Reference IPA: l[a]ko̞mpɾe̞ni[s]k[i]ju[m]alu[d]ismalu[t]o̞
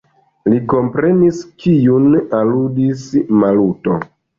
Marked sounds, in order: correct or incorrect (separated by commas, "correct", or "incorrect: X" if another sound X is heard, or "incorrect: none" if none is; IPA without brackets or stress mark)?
incorrect: i, correct, correct, incorrect: n, correct, correct